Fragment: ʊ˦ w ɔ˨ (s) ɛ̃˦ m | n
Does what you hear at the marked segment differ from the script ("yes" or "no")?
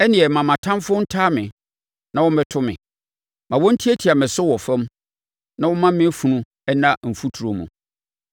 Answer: yes